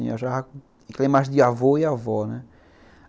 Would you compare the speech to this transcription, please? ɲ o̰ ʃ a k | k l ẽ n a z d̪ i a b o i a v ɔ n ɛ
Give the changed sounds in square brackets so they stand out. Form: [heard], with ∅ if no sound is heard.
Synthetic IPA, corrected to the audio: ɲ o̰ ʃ a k | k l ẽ [m] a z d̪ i a [v] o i a v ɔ n ɛ